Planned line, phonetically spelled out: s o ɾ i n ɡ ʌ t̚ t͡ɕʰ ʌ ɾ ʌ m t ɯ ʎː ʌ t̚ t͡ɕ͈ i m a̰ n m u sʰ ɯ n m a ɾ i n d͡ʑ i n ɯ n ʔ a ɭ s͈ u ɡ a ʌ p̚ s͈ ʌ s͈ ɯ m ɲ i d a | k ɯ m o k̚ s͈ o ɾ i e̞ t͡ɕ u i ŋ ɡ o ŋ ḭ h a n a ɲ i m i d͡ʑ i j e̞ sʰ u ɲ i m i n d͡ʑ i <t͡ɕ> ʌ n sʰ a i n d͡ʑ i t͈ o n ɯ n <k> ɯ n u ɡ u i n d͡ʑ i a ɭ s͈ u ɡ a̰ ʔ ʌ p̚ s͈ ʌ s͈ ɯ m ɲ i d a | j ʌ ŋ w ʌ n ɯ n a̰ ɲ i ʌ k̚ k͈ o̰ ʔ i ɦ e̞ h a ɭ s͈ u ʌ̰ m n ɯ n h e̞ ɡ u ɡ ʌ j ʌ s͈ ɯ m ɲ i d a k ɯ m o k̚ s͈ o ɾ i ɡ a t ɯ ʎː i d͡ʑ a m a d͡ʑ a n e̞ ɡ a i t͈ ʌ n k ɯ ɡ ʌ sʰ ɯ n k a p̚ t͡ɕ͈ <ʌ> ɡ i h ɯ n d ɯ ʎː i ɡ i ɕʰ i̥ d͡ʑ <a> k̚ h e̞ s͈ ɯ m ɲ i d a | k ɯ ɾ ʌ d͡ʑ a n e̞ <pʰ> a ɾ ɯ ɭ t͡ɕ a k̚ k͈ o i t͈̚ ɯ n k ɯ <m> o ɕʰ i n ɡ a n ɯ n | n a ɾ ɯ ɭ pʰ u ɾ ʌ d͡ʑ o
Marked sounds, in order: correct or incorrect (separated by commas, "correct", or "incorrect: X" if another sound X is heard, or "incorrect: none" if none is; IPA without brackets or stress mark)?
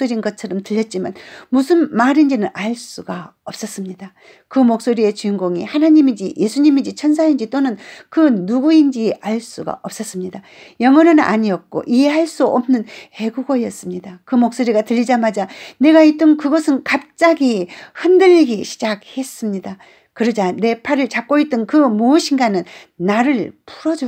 incorrect: t͡ɕʰ, correct, incorrect: a, correct, correct, correct